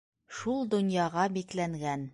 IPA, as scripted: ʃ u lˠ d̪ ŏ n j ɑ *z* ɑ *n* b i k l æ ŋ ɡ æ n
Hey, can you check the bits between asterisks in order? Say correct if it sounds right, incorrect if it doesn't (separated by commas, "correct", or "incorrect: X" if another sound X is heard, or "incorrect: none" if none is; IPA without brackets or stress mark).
incorrect: ʁ, incorrect: none